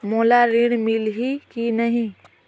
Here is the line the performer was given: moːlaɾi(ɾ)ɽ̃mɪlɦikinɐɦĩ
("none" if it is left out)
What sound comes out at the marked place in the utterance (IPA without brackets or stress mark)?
none